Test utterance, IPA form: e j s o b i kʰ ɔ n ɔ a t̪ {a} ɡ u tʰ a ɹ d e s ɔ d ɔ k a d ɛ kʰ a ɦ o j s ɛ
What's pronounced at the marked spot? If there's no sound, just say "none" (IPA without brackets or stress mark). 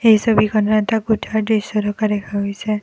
a